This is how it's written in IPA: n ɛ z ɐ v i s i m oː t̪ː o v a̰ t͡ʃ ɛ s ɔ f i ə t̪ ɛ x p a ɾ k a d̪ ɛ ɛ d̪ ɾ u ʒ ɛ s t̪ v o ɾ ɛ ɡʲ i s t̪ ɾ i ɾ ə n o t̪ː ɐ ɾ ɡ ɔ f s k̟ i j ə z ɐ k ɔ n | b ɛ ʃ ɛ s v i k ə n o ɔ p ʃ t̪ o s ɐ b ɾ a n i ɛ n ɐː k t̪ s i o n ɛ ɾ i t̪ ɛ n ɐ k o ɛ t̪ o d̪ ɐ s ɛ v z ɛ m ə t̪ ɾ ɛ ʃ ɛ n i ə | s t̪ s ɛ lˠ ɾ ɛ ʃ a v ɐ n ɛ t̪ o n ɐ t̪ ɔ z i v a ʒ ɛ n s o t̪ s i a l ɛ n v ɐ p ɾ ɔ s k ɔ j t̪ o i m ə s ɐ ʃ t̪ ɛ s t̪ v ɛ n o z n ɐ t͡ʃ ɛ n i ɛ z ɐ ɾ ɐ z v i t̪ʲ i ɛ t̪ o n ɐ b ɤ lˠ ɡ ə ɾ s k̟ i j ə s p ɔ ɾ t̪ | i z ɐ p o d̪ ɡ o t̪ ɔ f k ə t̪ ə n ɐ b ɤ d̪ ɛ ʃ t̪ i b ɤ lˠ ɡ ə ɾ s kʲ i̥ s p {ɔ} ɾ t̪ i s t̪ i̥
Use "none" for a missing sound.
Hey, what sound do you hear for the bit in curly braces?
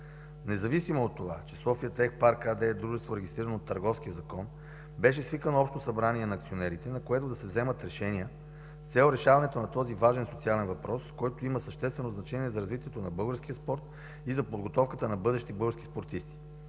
o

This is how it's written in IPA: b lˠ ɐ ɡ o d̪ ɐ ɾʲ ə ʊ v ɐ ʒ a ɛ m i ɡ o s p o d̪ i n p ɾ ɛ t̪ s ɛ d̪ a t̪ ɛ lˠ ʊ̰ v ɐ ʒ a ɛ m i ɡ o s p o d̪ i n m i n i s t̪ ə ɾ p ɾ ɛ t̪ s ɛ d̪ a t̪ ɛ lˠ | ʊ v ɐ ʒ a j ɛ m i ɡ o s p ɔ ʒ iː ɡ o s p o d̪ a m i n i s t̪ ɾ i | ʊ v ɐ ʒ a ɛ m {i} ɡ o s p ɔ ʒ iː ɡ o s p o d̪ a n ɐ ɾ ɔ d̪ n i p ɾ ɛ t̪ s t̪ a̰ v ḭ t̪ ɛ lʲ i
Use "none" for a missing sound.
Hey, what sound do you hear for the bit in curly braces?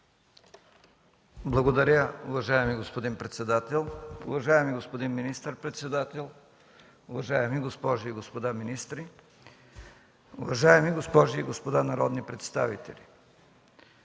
i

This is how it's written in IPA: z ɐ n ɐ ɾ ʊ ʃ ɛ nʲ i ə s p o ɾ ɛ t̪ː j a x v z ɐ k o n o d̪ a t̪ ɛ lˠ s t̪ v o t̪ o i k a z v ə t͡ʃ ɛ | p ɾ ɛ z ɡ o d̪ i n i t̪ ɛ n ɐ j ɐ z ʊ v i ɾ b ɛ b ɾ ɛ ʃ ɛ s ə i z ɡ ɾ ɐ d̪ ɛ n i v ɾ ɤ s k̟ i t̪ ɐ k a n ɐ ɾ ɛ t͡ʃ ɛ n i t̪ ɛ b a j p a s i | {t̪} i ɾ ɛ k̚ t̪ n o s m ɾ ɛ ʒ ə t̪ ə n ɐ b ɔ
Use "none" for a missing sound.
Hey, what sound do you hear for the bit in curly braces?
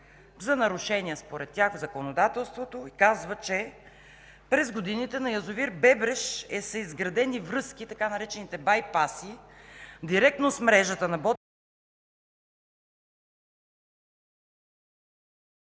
d̪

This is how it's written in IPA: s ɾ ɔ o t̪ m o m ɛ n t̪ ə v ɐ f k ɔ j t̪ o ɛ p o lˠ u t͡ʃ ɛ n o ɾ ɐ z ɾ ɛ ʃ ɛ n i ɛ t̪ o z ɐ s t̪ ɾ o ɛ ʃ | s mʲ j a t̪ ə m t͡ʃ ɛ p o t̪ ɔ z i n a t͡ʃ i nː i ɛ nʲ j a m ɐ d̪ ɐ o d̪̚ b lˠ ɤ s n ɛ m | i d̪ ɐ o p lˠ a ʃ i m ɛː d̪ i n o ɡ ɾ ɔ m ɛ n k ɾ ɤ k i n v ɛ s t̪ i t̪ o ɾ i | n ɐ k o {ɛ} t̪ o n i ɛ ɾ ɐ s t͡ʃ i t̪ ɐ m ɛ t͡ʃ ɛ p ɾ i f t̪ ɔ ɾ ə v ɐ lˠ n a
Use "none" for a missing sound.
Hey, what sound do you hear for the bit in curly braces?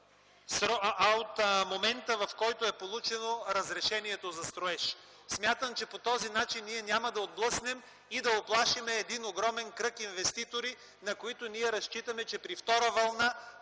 i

